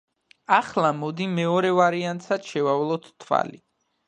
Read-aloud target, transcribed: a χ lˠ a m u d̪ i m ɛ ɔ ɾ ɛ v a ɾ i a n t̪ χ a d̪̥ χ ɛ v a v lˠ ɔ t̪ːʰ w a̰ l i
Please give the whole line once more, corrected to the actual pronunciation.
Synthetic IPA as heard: a χ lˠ a m ɔ d̪ i m ɛ ɔ ɾ ɛ v a ɾ i a n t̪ s a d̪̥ ʃ ɛ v a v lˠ ɔ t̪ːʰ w a̰ l i